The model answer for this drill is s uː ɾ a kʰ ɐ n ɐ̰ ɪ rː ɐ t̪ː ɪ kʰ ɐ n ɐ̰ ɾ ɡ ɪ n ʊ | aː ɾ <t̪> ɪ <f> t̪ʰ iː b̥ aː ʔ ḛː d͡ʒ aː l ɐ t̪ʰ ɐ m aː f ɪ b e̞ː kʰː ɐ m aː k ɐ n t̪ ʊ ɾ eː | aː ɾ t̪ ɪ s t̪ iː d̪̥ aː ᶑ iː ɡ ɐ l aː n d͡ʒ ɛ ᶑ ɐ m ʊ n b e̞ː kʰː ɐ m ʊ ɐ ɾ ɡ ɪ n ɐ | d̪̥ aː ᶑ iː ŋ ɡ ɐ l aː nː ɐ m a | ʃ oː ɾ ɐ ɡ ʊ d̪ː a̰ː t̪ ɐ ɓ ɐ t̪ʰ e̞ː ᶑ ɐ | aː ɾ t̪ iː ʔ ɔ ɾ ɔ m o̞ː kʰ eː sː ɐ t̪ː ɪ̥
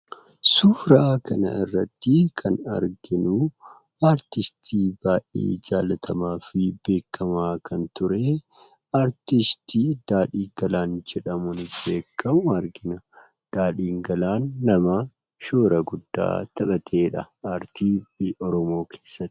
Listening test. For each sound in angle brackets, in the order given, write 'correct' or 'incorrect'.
correct, incorrect: s

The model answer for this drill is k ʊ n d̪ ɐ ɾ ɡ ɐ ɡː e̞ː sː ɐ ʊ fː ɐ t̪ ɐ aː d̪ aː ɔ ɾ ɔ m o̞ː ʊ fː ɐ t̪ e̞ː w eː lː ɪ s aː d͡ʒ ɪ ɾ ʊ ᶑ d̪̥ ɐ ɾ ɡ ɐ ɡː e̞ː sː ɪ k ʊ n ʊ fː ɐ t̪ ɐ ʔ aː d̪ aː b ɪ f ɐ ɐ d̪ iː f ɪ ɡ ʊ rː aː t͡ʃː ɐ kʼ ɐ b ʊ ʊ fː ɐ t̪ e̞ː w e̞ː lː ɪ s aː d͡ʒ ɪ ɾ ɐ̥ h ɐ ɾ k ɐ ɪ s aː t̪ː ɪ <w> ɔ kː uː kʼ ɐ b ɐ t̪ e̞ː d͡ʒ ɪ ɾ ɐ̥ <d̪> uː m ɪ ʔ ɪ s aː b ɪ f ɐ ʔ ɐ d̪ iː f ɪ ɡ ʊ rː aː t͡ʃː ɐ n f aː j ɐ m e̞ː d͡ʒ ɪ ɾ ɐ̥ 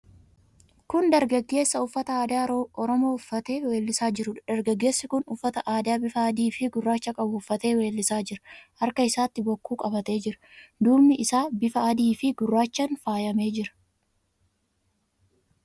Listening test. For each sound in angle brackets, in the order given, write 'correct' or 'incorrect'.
incorrect: b, correct

